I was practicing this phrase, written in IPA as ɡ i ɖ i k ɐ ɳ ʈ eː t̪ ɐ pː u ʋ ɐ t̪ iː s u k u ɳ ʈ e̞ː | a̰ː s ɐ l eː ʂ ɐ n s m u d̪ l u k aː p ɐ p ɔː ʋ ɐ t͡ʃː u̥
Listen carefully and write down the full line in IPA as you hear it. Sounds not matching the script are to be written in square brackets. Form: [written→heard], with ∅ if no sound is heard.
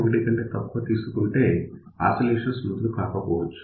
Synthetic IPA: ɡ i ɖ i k ɐ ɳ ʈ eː t̪ ɐ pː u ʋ ɐ t̪ iː s u k u ɳ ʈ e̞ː | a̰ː s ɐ l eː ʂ ɐ n s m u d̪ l u k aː [p→k] ɐ p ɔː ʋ ɐ t͡ʃː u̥

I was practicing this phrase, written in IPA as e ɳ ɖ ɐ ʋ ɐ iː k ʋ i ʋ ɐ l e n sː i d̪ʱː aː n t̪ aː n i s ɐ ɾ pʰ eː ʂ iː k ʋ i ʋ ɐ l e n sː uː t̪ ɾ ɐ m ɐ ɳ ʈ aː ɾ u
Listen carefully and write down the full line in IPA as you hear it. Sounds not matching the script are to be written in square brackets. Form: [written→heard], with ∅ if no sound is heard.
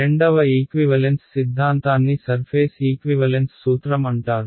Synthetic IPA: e ɳ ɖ ɐ ʋ ɐ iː k ʋ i ʋ ɐ l e n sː i d̪ʱː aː n t̪ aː [n→nː] i s ɐ ɾ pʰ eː [ʂ→s] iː k ʋ i ʋ ɐ l e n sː uː t̪ ɾ ɐ m ɐ ɳ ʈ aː ɾ u

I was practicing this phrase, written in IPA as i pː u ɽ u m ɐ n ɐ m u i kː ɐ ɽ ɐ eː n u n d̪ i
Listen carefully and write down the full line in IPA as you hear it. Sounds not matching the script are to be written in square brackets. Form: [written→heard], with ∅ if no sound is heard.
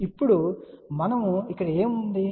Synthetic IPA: i pː u ɽ u m ɐ n ɐ m u i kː ɐ ɽ ɐ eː [n→m] u n d̪ i

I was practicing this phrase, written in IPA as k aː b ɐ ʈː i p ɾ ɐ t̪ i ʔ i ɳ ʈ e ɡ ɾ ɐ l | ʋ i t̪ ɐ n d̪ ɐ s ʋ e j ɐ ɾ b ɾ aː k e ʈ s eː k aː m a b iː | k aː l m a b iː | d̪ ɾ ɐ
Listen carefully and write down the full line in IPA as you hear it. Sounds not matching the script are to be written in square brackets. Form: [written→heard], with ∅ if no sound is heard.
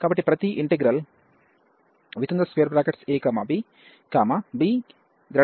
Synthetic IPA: k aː b ɐ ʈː i p ɾ ɐ t̪ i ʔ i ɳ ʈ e ɡ ɾ ɐ l | ʋ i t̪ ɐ n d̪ ɐ s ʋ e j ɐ ɾ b ɾ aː k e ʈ s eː k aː m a b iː | k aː [l→∅] m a b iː | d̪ ɾ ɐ

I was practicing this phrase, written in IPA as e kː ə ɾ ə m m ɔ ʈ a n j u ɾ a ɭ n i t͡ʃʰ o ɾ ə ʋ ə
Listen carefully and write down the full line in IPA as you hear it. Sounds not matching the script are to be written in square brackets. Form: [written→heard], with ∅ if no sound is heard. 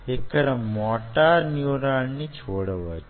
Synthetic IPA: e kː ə ɾ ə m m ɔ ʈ a n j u ɾ a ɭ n i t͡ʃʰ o [ɾ→ɽ] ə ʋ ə

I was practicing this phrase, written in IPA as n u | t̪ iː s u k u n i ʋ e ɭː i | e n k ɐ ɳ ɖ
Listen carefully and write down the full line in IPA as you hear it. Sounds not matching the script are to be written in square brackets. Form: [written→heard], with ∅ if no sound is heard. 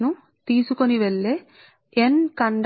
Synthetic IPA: n u | t̪ iː s u k [u→o] n i ʋ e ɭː [i→e] | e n k ɐ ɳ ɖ

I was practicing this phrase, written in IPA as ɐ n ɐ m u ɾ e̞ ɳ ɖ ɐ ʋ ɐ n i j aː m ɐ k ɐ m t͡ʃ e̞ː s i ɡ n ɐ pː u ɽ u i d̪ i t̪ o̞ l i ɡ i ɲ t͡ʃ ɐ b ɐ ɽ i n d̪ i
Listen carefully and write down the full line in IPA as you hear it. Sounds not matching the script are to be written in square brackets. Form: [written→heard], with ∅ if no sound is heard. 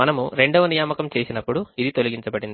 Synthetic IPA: ɐ n ɐ m u ɾ e̞ ɳ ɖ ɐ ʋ ɐ n i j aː m ɐ k ɐ m t͡ʃ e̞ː s i [ɡ→∅] n ɐ pː u ɽ u i d̪ i t̪ o̞ l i ɡ i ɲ t͡ʃ ɐ b ɐ ɽ i n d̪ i

